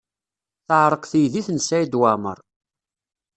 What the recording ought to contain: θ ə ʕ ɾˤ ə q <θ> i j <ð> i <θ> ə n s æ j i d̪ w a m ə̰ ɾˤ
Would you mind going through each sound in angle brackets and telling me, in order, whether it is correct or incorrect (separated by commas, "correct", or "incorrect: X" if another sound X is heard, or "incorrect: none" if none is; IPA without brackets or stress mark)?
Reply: correct, correct, correct